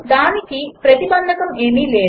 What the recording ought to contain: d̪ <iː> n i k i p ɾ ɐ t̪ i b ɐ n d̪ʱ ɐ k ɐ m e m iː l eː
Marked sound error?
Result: yes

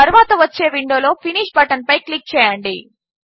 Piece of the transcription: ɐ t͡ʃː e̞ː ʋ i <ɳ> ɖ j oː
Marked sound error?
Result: no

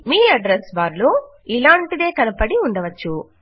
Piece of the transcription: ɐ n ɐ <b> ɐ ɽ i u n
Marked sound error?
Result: yes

